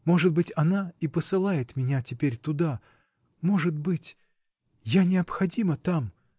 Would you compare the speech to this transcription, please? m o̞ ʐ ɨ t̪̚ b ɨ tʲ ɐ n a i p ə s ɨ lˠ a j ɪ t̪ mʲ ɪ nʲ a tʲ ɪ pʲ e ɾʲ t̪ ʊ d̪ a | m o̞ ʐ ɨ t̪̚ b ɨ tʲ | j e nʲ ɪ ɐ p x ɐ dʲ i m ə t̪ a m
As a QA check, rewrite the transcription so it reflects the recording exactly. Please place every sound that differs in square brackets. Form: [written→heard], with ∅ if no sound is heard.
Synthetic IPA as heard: m o̞ ʐ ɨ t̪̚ b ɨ tʲ ɐ n a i p ə s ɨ lˠ a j ɪ t̪ mʲ ɪ nʲ a tʲ ɪ pʲ e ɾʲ t̪ ʊ d̪ a | m o̞ ʐ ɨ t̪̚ b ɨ tʲ | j [e→a] nʲ ɪ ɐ p x ɐ dʲ i m ə t̪ a m